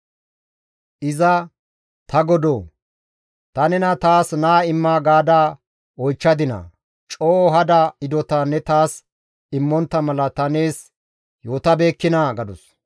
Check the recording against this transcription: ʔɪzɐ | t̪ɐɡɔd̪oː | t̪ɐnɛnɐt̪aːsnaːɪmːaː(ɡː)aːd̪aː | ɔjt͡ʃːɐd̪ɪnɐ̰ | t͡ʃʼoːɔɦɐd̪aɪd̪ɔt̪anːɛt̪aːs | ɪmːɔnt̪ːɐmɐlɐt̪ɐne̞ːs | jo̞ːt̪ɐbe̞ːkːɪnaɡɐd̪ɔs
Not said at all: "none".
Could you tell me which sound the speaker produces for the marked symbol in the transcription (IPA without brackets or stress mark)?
ɡ